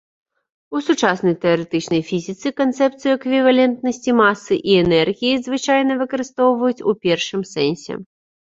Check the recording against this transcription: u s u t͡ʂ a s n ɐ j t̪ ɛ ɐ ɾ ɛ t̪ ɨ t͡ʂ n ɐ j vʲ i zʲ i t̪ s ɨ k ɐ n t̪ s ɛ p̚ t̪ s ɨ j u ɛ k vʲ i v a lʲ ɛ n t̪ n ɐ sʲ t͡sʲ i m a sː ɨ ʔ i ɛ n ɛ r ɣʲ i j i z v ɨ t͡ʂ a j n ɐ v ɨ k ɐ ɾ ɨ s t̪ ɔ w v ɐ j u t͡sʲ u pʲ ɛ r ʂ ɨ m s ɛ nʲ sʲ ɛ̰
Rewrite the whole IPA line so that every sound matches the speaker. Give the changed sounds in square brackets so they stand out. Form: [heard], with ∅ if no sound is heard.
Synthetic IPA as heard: u s u t͡ʂ a s n ɐ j t̪ ɛ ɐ ɾ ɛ t̪ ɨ t͡ʂ n ɐ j [fʲ] i zʲ i t̪ s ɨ k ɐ n t̪ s ɛ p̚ t̪ s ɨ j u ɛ k vʲ i v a lʲ ɛ n t̪ n ɐ sʲ t͡sʲ i m a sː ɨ ʔ i ɛ n ɛ r ɣʲ i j i z v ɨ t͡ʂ a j n ɐ v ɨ k ɐ ɾ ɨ s t̪ ɔ w v ɐ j u t͡sʲ u pʲ ɛ r ʂ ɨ m s ɛ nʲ sʲ ɛ̰